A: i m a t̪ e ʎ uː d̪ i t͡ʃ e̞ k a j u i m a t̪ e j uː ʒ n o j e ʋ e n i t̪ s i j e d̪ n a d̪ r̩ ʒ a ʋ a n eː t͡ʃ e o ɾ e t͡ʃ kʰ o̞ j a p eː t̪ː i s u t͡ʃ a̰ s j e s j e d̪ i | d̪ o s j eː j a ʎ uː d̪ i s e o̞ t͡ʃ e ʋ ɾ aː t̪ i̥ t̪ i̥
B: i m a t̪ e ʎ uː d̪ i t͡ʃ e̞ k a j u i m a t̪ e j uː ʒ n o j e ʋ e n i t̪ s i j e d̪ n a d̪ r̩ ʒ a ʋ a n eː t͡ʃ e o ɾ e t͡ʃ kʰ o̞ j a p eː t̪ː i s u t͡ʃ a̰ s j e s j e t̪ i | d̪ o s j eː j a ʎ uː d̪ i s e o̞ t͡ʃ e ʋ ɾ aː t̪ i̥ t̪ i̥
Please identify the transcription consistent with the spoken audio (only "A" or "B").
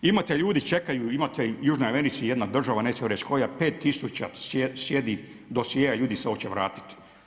A